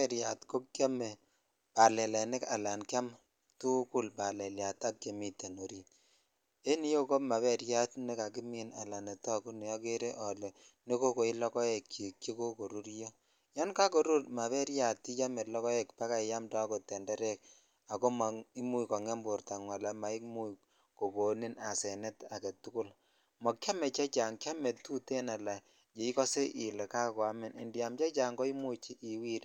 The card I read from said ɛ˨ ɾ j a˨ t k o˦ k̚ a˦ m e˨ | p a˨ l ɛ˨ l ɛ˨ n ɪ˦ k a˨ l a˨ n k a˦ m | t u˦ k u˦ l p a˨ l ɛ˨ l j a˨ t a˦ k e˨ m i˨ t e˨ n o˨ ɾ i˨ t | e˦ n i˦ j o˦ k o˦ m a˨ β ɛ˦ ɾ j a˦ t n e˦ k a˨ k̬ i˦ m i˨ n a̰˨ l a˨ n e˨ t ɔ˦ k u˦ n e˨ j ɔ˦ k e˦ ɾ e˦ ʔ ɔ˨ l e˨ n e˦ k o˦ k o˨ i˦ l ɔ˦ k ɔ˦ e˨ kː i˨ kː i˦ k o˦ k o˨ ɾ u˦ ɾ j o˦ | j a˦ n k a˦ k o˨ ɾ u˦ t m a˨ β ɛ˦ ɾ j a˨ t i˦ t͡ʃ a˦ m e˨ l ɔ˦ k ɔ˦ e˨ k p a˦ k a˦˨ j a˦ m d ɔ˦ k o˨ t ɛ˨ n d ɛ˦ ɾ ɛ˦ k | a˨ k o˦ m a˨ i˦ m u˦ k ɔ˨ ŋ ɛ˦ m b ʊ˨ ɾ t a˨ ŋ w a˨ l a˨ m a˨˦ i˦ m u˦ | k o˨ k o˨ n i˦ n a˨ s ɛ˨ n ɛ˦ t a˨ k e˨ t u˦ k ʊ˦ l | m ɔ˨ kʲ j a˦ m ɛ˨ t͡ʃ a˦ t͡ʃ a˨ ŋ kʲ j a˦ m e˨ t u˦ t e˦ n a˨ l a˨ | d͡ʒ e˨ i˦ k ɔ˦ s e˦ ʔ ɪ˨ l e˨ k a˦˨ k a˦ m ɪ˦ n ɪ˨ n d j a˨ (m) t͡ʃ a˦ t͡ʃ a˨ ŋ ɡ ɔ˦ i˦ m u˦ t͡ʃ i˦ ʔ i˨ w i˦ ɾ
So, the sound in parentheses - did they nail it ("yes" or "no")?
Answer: yes